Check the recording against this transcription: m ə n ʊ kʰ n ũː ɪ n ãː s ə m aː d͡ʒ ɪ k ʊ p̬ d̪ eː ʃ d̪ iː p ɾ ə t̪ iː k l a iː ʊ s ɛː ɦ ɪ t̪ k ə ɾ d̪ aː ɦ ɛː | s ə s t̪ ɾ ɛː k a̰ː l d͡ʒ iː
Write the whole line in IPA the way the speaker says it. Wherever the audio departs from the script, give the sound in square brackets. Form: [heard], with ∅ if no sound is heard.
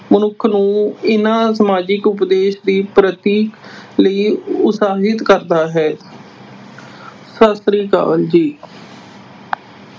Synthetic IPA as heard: m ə n ʊ kʰ n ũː ɪ n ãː s ə m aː d͡ʒ ɪ k ʊ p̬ d̪ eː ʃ d̪ iː p ɾ ə t̪ iː k l [ə] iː ʊ s [aː] ɦ ɪ t̪ k ə ɾ d̪ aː ɦ ɛː | s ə s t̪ ɾ [iː] k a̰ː l d͡ʒ iː

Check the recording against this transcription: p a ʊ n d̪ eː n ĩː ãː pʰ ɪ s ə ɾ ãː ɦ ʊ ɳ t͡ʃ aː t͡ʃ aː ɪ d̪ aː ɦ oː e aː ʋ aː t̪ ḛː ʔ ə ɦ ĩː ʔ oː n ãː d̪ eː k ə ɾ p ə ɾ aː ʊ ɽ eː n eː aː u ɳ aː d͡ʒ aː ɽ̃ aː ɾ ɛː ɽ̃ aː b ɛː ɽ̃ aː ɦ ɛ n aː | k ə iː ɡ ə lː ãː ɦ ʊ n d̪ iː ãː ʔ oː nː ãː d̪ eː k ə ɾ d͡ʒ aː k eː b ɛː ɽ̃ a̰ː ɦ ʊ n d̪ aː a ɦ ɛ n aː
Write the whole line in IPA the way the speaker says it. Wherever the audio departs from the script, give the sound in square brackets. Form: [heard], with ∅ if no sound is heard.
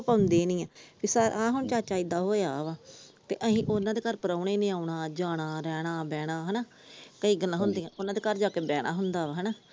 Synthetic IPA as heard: p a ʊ n d̪ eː n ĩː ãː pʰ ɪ s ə ɾ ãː ɦ ʊ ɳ t͡ʃ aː t͡ʃ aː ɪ d̪ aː ɦ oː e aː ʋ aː t̪ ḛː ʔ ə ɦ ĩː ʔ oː n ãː d̪ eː k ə ɾ p ə ɾ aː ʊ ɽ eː n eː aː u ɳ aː d͡ʒ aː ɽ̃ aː ɾ ɛː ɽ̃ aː b ɛː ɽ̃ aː ɦ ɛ n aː | k ə iː ɡ ə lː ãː ɦ ʊ n d̪ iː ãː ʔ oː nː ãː d̪ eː k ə ɾ d͡ʒ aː k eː b ɛː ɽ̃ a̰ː ɦ ʊ n d̪ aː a ɦ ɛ n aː

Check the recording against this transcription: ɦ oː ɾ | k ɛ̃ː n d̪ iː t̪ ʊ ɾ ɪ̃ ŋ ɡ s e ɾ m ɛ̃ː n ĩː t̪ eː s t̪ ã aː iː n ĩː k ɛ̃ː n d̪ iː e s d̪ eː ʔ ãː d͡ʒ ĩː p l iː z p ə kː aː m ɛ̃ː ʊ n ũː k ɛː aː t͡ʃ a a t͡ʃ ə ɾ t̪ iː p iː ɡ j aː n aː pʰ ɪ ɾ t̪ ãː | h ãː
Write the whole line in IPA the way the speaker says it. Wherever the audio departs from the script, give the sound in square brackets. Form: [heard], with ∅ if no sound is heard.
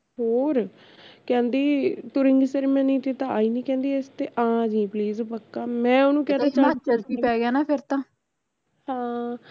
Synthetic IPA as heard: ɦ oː ɾ | k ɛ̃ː n d̪ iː t̪ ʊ ɾ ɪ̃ ŋ ɡ s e ɾ m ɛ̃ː n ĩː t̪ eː [∅] t̪ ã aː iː n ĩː k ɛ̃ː n d̪ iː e s [t̪] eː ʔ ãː d͡ʒ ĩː p l iː z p ə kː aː m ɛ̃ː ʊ n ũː k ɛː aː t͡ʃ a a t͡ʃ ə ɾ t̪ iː p [ɛː] ɡ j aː n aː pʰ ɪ ɾ t̪ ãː | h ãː

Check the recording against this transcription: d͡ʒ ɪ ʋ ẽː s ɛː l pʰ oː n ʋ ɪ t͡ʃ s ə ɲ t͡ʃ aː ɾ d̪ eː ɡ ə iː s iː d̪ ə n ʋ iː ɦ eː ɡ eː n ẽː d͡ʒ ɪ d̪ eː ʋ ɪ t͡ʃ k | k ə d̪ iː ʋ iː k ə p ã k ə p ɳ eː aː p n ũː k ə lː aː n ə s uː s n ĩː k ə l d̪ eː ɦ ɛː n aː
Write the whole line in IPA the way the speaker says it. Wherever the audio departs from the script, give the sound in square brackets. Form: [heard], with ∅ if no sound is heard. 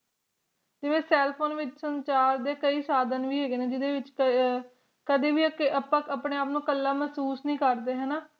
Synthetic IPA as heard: d͡ʒ ɪ ʋ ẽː s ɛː l pʰ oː n ʋ ɪ t͡ʃ s ə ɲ t͡ʃ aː ɾ d̪ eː [k] ə iː s [aː] d̪ ə n ʋ iː ɦ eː ɡ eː n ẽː d͡ʒ ɪ d̪ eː ʋ ɪ t͡ʃ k | k ə d̪ iː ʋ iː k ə p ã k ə p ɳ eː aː p n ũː k ə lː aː [m] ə s uː s n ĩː k ə [ɾ] d̪ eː ɦ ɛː n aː

